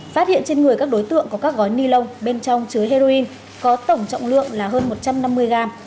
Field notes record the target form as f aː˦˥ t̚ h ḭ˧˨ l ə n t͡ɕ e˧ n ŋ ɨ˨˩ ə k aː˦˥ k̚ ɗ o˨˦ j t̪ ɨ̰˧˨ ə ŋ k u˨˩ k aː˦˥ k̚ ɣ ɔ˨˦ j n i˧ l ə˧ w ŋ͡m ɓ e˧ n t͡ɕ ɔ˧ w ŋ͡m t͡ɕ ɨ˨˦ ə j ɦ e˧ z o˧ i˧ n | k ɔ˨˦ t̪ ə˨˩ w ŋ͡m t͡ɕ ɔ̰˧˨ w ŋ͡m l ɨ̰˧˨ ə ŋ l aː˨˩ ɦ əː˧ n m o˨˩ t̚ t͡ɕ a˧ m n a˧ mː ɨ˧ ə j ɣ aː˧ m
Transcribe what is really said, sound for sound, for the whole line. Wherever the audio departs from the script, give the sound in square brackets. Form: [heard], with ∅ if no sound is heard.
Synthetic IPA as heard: f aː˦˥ t̚ h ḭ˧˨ [∅] ə n t͡ɕ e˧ n ŋ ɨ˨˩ ə k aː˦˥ k̚ ɗ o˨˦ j t̪ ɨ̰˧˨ ə ŋ k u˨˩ k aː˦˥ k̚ ɣ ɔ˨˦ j n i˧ l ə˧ w ŋ͡m ɓ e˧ n t͡ɕ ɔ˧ w ŋ͡m t͡ɕ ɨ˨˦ ə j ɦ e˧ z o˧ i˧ n | k ɔ˨˦ t̪ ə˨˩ w ŋ͡m t͡ɕ ɔ̰˧˨ w ŋ͡m l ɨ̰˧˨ ə ŋ l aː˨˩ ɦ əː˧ n m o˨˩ t̚ t͡ɕ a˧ m n a˧ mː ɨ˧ ə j ɣ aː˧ m